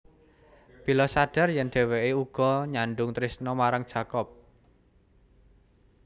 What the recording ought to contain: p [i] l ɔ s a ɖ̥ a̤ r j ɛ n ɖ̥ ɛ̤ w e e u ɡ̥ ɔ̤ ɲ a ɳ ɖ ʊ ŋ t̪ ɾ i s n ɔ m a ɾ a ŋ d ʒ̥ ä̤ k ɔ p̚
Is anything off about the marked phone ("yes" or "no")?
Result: no